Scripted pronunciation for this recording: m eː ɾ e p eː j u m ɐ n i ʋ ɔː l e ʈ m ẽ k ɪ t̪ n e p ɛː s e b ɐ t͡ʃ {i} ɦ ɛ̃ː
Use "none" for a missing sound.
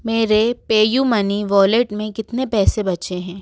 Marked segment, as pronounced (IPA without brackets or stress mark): e